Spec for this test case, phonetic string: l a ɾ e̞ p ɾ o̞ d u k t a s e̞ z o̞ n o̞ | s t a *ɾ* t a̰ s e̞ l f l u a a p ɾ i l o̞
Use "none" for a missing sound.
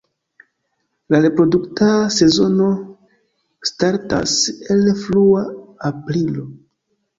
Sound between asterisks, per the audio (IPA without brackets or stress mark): ɾ